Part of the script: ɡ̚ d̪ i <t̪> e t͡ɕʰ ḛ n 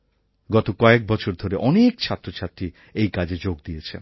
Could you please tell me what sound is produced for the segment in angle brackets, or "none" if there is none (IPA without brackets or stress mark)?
none